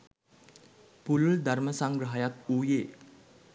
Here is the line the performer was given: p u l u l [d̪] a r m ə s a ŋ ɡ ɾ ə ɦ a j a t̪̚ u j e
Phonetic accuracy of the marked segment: correct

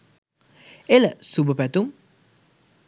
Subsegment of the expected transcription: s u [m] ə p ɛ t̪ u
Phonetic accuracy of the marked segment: incorrect: b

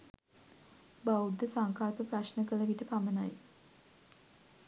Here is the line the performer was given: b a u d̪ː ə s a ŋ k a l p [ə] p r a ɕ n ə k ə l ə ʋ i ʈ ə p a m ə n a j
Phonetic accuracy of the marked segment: correct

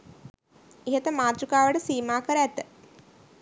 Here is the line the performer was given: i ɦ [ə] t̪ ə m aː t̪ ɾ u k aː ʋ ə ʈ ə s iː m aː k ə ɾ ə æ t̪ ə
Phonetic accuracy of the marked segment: correct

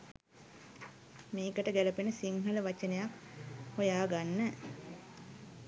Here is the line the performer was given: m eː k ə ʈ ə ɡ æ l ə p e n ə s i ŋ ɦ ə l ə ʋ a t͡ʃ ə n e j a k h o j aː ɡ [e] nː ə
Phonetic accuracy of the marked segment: incorrect: a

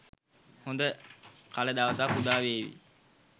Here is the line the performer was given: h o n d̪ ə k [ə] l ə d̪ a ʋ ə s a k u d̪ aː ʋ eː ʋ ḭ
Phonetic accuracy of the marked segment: incorrect: a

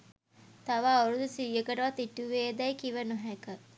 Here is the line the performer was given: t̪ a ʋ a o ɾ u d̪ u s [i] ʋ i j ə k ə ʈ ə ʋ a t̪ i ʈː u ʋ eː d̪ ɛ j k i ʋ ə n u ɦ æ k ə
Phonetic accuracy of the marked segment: correct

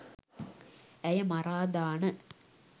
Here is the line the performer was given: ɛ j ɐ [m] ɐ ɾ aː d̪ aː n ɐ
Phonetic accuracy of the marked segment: correct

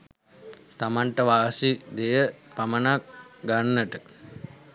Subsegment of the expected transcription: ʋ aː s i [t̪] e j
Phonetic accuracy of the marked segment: incorrect: d̪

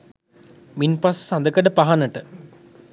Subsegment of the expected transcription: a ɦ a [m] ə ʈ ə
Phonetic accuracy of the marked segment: incorrect: n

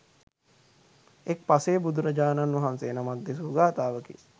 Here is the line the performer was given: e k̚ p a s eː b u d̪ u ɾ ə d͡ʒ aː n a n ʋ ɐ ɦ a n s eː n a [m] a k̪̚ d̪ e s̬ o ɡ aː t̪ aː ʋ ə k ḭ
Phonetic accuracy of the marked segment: correct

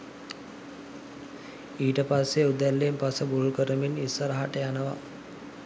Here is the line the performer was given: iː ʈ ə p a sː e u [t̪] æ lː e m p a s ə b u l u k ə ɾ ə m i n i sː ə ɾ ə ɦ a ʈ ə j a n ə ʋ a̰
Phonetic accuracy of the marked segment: incorrect: d̪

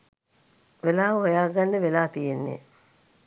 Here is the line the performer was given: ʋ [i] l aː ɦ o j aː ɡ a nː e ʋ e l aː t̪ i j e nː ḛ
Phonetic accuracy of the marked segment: incorrect: e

